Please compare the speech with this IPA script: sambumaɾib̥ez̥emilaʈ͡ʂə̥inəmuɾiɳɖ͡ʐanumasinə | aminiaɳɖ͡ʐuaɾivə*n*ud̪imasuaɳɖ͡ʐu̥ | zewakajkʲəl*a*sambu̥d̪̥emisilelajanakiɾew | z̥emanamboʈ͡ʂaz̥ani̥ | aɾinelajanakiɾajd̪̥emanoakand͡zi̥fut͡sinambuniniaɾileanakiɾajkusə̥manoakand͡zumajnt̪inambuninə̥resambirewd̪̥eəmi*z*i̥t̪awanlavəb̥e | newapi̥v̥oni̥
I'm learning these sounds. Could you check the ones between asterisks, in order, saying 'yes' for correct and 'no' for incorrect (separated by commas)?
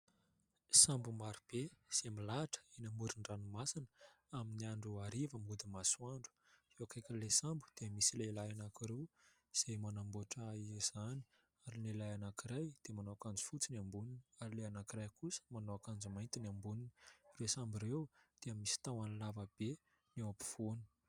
no, no, no